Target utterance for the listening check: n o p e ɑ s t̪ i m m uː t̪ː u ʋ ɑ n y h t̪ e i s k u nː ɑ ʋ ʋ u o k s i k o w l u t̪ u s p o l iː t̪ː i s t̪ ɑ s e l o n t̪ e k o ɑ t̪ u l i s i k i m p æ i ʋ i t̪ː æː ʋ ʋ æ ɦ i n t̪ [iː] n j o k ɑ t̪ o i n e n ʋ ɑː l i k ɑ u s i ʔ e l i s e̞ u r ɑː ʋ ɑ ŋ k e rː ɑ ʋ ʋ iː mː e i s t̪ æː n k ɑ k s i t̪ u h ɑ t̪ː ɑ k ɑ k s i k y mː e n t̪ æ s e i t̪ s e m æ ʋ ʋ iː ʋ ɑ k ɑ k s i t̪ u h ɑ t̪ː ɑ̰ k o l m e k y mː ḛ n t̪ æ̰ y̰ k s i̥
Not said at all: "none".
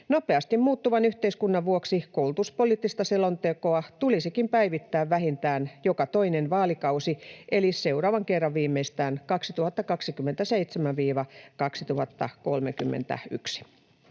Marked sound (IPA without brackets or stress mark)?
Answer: æː